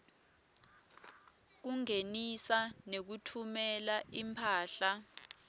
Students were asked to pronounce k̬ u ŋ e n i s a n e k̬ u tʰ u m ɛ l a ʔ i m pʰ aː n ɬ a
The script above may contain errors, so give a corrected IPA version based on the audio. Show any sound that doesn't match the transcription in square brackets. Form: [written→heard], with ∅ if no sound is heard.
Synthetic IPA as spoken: k̬ u ŋ e n i s a n e k̬ u tʰ u m ɛ l a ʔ i m pʰ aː [n→∅] ɬ a